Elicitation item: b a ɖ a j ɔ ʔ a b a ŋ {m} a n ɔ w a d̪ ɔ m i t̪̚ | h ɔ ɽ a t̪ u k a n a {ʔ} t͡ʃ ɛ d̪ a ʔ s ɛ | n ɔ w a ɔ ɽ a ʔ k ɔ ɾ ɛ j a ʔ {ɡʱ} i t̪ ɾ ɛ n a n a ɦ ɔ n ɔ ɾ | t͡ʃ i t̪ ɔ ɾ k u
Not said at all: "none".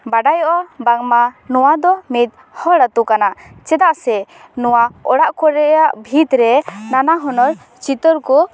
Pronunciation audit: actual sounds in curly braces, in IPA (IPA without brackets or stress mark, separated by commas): m, ʔ, bʱ